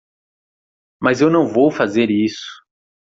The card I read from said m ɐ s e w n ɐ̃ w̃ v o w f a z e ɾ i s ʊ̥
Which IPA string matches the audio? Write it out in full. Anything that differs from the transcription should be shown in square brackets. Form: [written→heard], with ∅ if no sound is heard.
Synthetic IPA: m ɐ [s→z] e w n ɐ̃ w̃ v o w f a z e ɾ i s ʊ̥